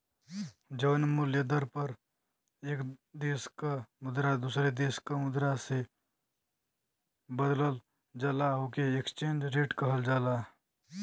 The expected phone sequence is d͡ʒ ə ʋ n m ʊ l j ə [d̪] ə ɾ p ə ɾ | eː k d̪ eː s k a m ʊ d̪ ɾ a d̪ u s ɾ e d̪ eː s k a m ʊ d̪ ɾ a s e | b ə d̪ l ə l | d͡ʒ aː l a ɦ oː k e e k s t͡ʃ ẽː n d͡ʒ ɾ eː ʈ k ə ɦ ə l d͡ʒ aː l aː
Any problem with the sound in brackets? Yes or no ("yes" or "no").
no